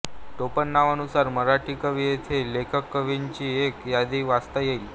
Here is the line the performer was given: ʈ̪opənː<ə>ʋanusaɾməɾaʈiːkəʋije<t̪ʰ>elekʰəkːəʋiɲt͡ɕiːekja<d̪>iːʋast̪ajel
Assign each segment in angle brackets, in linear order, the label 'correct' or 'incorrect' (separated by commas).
incorrect, correct, correct